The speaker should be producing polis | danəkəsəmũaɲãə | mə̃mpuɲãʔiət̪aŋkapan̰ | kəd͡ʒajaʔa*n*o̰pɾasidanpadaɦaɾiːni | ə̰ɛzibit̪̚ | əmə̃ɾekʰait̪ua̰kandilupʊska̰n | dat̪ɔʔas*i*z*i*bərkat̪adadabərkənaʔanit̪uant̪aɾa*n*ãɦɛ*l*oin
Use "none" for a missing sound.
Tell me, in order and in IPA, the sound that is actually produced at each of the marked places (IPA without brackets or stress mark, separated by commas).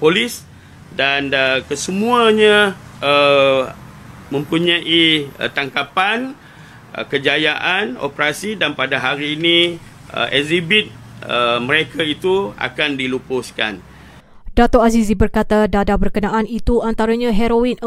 n, i, i, ɲ, ɾ